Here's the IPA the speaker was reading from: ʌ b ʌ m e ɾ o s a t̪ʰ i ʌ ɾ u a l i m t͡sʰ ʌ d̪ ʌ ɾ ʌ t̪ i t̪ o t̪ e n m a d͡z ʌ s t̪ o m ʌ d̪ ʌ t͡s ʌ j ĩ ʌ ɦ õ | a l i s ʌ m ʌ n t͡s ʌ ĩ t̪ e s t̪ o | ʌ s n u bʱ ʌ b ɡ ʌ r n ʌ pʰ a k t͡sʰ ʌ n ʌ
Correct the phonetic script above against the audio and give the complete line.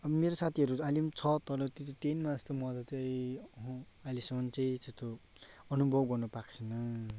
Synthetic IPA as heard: ʌ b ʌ m e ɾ o s a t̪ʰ i ʌ ɾ u a l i m t͡sʰ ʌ t̪ ʌ ɾ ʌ t̪ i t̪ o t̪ e n m a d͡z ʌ s t̪ o m ʌ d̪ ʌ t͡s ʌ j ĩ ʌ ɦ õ | a l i s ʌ m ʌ n t͡s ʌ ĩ t̪ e s t̪ o | ʌ n u bʱ ʌ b ɡ ʌ r n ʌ p a k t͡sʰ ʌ n ʌ